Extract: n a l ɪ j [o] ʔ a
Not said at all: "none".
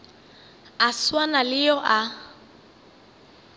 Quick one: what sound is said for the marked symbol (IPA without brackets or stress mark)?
ɔ